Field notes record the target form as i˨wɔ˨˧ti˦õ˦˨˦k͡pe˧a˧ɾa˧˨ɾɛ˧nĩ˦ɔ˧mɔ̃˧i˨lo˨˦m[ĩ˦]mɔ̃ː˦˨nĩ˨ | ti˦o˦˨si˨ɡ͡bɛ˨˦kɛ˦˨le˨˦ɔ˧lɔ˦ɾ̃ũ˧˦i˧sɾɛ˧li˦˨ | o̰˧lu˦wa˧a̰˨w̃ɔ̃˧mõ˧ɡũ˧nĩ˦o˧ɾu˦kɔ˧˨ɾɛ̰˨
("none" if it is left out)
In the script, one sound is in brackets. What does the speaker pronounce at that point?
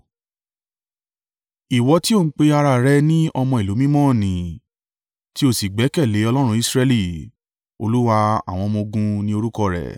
ĩ˦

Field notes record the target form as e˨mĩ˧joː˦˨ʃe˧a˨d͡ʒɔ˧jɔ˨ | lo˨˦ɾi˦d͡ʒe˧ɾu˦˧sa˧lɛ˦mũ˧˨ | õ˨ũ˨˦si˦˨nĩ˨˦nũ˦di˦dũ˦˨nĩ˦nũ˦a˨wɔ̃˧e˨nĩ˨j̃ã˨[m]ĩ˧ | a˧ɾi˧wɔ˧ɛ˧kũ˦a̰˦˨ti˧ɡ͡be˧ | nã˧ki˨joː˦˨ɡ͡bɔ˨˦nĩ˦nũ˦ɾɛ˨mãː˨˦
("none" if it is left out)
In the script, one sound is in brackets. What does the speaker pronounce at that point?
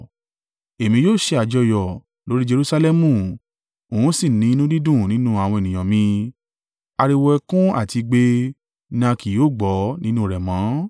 m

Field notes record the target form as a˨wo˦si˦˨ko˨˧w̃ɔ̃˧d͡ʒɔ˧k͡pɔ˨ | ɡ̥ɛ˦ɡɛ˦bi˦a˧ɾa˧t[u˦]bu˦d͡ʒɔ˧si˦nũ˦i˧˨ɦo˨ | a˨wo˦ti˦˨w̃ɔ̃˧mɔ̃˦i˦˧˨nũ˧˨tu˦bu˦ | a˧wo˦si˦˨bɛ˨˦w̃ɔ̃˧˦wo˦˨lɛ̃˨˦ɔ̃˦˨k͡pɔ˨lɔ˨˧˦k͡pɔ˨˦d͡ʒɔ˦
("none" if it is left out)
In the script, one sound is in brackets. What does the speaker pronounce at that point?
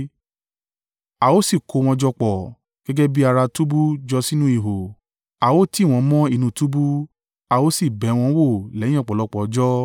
u˦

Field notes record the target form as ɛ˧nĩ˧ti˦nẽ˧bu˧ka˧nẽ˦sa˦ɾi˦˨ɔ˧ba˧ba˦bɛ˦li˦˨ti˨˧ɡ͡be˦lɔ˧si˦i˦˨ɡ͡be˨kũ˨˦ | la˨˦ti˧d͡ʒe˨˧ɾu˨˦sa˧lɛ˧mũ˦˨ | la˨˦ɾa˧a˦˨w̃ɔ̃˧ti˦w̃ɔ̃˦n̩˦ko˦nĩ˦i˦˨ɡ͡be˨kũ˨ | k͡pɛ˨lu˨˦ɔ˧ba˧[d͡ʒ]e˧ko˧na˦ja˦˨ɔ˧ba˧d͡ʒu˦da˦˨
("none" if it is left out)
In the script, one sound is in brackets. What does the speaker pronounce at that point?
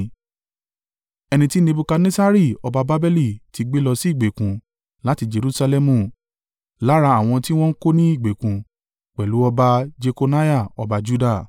d͡ʒ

